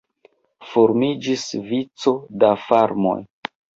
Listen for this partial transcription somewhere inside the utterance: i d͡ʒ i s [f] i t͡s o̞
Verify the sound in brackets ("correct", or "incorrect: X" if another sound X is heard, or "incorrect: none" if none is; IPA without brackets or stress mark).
incorrect: v